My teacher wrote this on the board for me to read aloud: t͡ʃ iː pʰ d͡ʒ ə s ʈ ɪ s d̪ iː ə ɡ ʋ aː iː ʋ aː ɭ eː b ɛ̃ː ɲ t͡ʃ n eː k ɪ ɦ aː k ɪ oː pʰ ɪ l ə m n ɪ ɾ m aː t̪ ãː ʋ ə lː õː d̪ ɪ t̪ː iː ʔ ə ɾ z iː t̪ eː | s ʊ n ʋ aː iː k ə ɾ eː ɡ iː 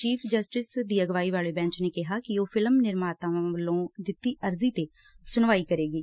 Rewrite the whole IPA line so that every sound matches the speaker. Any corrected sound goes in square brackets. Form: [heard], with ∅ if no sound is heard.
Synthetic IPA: t͡ʃ iː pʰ d͡ʒ ə s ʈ ɪ s d̪ iː ə ɡ ʋ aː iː ʋ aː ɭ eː b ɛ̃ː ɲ t͡ʃ n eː k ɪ ɦ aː k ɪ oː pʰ ɪ l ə m n ɪ ɾ m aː t̪ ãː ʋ ə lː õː d̪ ɪ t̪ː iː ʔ ə ɾ z iː t̪ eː | s ʊ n ʋ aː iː k ə ɾ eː ɡ iː